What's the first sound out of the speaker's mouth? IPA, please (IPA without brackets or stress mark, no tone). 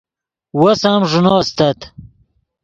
w